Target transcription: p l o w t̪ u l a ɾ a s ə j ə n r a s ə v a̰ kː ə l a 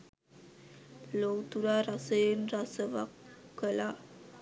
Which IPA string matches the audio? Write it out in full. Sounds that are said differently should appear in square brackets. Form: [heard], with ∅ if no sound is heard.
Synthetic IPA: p l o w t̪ u [ɾ] a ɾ a s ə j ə n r a s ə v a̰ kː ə l a